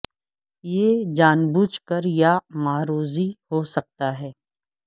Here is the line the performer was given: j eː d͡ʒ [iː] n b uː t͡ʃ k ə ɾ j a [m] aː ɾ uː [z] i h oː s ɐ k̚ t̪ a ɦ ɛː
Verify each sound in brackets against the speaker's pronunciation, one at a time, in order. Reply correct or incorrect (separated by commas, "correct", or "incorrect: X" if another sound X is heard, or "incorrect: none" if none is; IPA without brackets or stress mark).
incorrect: aː, correct, correct